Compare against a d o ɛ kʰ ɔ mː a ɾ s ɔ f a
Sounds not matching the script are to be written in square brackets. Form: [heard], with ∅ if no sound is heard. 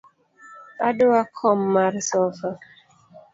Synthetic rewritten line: a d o [a] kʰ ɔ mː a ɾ s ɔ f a